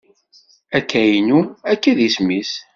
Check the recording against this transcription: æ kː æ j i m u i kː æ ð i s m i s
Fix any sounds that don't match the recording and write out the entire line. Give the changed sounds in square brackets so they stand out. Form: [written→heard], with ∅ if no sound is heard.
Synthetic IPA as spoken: æ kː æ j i [m→n] u [i→æ] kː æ ð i s m i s